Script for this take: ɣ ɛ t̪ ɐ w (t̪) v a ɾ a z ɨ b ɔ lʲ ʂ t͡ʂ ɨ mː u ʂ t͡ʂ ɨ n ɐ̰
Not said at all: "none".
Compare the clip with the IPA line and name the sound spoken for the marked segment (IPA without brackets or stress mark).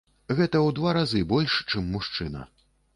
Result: d̪